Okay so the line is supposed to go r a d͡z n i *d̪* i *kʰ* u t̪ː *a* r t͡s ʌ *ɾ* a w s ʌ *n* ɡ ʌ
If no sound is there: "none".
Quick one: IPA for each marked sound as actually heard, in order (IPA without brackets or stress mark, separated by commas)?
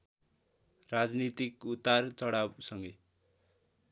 t̪, k, a, ɽ, ŋ